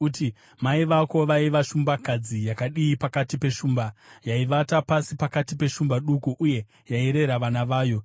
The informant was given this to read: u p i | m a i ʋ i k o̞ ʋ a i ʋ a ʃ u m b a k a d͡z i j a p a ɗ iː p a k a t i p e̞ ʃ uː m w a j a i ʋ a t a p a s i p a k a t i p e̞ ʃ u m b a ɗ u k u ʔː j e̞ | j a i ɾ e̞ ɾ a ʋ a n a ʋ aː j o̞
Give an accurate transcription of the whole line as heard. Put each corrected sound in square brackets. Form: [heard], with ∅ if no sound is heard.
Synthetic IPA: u [t] i | m a i ʋ [a] k o̞ ʋ a i ʋ a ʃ u m b a k a d͡z i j a [k] a ɗ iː p a k a t i p e̞ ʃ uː m [b] a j a i ʋ a t a p a s i p a k a t i p e̞ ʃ u m b a ɗ u k u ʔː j e̞ | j a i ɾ e̞ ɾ a ʋ a n a ʋ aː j o̞